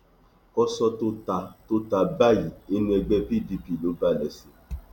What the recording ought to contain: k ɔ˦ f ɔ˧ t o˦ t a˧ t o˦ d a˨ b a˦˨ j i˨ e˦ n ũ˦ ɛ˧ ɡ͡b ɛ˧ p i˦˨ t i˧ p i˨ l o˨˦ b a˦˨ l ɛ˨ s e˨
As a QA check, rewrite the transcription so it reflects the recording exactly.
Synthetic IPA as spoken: k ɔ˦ s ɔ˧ t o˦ t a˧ t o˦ t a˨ b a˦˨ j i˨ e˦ n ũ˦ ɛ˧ ɡ͡b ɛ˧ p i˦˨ d i˧ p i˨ l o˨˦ b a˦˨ l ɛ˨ s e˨